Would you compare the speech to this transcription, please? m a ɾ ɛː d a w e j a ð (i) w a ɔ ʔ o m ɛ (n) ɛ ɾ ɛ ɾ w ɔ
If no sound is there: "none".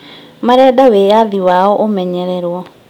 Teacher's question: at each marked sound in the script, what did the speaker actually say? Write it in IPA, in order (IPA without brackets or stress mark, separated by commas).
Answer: i, ɲ